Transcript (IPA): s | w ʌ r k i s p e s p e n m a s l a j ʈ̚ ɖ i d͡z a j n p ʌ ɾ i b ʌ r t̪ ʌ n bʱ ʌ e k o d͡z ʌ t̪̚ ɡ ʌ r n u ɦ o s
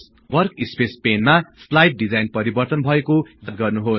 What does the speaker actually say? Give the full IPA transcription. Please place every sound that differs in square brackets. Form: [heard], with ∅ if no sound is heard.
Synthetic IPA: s | w ʌ r k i s p e s p e n m a s l a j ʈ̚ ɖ i d͡z a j n p ʌ ɾ i b ʌ r t̪ ʌ n bʱ ʌ e k o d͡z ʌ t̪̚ ɡ ʌ r n u ɦ o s